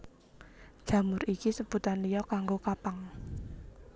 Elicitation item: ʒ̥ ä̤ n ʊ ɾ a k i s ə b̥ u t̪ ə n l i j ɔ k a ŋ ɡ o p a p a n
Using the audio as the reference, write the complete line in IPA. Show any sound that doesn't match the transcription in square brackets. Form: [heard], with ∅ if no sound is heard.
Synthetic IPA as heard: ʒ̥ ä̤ [m] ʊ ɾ [i] k i s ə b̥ u t̪ [a] n l i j ɔ k a ŋ ɡ o [k] a p a [ŋ]